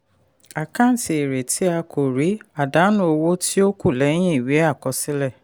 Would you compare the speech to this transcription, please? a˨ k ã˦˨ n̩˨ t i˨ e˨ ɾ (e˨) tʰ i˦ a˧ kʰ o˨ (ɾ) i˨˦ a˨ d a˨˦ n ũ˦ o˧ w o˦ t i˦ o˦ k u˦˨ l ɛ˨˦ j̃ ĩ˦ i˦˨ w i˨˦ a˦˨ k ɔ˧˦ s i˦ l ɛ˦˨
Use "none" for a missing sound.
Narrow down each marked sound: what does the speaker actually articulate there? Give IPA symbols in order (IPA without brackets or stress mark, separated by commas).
e˨, ɾ